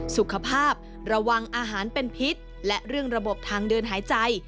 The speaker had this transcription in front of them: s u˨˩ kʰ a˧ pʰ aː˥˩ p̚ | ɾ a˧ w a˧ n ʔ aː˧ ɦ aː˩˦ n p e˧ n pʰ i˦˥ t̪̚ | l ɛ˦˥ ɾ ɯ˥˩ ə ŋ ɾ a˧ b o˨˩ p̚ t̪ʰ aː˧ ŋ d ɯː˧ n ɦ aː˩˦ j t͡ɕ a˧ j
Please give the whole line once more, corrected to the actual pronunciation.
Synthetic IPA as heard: s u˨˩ kʰ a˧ pʰ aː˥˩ p̚ | ɾ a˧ w a˧ ŋ ʔ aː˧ ɦ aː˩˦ n p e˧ n pʰ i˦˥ t̪̚ | l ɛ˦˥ ɾ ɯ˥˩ ə ŋ ɾ a˧ b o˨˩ p̚ t̪ʰ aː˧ ŋ d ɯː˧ n ɦ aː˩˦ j t͡ɕ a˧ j